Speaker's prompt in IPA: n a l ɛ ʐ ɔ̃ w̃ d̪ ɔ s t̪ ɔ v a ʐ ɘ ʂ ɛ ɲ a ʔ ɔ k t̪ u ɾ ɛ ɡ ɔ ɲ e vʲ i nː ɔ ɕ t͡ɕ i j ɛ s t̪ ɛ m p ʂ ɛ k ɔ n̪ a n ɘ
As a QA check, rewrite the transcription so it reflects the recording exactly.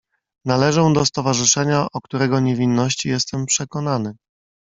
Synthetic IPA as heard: n a l ɛ ʐ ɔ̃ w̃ d̪ ɔ s t̪ ɔ v a ʐ ɘ ʂ ɛ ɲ a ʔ ɔ k t̪ u ɾ ɛ ɡ ɔ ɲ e vʲ i nː ɔ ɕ t͡ɕ i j ɛ s t̪ ɛ m p ʂ ɛ k ɔ n̪ a n ɘ